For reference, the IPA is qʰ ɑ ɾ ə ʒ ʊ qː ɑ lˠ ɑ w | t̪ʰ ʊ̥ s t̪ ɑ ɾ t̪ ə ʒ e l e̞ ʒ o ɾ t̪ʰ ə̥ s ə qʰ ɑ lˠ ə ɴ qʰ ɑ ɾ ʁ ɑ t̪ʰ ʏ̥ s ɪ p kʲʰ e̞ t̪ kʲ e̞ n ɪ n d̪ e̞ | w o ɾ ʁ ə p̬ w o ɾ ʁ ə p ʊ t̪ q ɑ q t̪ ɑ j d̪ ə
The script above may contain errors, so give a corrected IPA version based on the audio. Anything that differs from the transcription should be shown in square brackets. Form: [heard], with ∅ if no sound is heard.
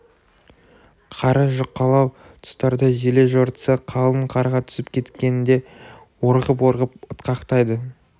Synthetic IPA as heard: qʰ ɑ ɾ ə ʒ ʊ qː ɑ lˠ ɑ w | t̪ʰ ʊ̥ s t̪ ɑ ɾ [d̪] ə ʒ e l e̞ ʒ o ɾ [t̪] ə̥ s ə qʰ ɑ lˠ ə ɴ qʰ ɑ ɾ ʁ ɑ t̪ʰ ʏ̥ s ɪ p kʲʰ e̞ t̪ kʲ e̞ n ɪ n d̪ e̞ | w o ɾ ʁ ə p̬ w o ɾ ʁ ə p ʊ t̪ q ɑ q t̪ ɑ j d̪ ə

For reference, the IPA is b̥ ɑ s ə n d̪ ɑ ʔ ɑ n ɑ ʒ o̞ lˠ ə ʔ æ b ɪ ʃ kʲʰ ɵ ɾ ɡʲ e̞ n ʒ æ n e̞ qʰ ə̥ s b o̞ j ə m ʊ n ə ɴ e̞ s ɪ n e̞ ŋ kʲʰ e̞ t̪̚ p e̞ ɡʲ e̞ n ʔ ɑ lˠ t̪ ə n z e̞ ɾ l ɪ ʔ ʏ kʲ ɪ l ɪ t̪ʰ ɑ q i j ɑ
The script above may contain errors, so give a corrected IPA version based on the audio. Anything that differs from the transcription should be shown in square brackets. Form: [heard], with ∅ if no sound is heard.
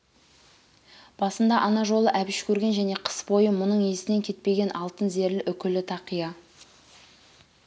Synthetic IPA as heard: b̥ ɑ s ə n d̪ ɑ ʔ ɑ n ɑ ʒ o̞ lˠ ə ʔ æ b ɪ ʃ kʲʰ ɵ ɾ ɡʲ e̞ n ʒ æ n e̞ qʰ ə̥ s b o̞ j ə m ʊ n ə ɴ e̞ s ɪ n e̞ ŋ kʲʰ e̞ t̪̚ p e̞ ɡʲ e̞ n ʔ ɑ lˠ t̪ ə n z e̞ ɾ l ɪ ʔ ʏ kʲ ɪ l ɪ t̪ʰ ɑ q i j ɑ

